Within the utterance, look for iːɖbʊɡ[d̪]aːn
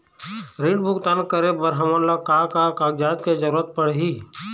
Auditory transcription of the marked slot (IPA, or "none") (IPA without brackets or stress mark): t̪